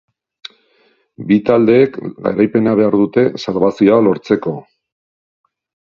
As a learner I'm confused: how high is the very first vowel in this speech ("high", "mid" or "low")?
high